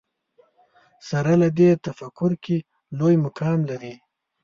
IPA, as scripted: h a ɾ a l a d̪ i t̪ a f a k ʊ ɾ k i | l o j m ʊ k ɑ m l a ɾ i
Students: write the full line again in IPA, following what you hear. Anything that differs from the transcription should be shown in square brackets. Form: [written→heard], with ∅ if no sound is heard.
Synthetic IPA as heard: [h→s] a ɾ a l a d̪ [i→e] t̪ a f a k ʊ ɾ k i | l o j m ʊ k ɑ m l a ɾ i